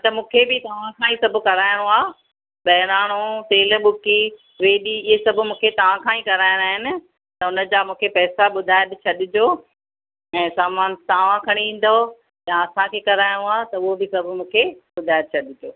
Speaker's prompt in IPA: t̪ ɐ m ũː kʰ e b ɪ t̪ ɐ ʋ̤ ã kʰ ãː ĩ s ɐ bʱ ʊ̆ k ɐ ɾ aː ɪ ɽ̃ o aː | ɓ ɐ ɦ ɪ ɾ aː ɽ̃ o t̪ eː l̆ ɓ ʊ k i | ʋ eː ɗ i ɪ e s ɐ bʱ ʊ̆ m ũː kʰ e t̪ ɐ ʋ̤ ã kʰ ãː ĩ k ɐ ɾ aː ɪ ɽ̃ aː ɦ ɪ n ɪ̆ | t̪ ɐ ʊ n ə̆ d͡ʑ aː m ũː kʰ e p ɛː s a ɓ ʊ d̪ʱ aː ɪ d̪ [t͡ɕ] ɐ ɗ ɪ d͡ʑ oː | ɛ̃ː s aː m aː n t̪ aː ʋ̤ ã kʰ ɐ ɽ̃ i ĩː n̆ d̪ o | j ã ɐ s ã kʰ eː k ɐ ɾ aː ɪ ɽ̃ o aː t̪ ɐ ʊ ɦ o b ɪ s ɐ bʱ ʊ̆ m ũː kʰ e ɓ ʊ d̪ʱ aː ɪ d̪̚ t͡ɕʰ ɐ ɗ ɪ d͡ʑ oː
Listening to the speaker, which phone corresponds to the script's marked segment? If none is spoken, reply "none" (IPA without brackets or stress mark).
t͡ɕʰ